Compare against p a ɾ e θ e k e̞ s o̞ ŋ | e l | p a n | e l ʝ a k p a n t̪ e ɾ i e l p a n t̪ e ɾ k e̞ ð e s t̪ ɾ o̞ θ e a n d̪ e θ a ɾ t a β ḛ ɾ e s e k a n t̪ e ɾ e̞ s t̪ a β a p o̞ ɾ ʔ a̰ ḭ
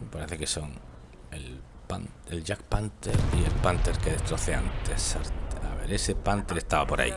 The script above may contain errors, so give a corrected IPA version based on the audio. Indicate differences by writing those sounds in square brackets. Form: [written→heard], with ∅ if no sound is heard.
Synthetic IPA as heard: p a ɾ e θ e k e̞ s o̞ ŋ | e l | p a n | e l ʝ a k p a n t̪ e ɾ i e l p a n t̪ e ɾ k e̞ ð e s t̪ ɾ o̞ θ e a n [d̪→t̪] e [θ→s] a ɾ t a β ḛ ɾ e s e [k→p] a n t̪ e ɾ e̞ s t̪ a β a p o̞ ɾ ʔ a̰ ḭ